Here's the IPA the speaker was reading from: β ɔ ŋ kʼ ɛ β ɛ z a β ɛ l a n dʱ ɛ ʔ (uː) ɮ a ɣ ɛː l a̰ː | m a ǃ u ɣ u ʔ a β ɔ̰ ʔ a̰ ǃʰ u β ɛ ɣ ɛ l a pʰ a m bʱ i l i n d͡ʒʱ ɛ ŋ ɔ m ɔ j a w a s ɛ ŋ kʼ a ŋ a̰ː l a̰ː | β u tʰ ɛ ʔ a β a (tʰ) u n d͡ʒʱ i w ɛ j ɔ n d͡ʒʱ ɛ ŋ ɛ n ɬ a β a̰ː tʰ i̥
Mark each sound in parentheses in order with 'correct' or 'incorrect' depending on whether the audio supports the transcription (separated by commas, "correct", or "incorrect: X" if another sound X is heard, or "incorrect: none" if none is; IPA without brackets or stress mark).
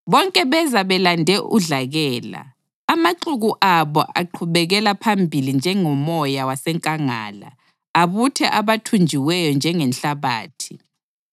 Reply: incorrect: u, correct